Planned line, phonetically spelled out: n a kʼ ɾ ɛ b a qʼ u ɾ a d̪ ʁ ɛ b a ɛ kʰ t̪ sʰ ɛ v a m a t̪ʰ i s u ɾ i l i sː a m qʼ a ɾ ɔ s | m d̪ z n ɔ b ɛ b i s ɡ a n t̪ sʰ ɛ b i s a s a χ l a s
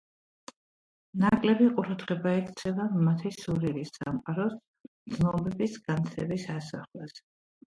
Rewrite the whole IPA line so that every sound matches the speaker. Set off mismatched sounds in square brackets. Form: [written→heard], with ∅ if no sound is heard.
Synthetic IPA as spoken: n a kʼ [ɾ→l] ɛ b [a→i] qʼ u ɾ a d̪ ʁ ɛ b a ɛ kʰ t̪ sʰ ɛ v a m a t̪ʰ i s u ɾ i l i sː a m qʼ a ɾ ɔ s | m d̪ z n ɔ b ɛ b i s ɡ a n t̪ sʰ ɛ b i s a s a χ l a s